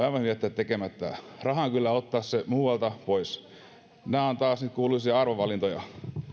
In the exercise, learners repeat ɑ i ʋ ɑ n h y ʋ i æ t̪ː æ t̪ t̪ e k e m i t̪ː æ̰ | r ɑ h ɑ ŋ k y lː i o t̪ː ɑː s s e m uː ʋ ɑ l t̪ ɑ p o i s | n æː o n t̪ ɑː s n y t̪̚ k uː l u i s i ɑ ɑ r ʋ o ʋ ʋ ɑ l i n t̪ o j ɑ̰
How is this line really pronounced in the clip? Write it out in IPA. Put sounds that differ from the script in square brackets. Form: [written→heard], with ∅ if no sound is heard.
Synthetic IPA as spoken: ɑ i ʋ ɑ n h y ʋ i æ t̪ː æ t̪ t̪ e k e m [i→æ] t̪ː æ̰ | r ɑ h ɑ ŋ k y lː [i→æ] o t̪ː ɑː s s e m uː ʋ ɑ l t̪ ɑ p o i s | n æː o n t̪ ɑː s n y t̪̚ k uː l u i s i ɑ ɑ r ʋ o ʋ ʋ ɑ l i n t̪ o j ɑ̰